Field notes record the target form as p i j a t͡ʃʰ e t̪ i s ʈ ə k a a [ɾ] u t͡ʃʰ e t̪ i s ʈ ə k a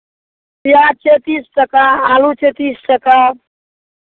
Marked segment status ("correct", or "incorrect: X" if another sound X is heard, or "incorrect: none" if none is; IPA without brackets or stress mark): incorrect: l